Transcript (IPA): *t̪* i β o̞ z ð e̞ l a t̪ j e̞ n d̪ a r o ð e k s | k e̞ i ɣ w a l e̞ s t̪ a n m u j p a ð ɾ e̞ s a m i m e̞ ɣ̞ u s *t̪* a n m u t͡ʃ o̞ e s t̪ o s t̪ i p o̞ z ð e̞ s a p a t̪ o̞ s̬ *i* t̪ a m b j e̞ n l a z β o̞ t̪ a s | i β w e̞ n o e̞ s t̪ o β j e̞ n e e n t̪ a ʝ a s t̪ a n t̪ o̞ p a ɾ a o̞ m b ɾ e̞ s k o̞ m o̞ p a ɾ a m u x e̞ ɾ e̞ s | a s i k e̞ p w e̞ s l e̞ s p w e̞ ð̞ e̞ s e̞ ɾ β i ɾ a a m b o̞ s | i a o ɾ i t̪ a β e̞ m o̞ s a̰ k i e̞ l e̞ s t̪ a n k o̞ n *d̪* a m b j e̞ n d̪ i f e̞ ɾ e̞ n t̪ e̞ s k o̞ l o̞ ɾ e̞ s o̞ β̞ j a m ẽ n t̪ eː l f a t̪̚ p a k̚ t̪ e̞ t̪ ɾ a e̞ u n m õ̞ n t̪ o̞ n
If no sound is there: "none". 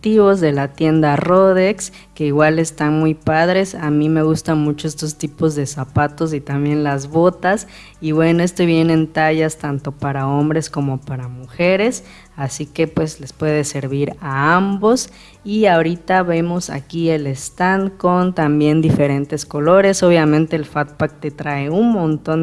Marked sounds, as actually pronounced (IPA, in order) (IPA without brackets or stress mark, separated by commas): t̪, t̪, i, t̪